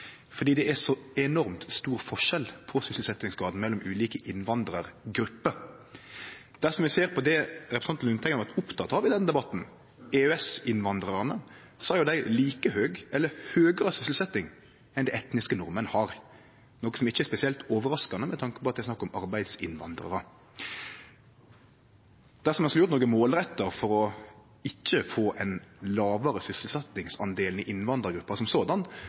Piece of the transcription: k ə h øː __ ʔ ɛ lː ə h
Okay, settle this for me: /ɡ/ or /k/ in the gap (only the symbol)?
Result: ɡ